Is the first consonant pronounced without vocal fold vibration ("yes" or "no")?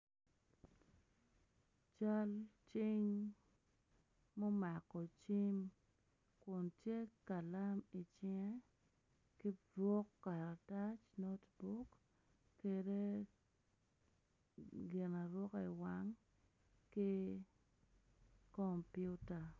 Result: yes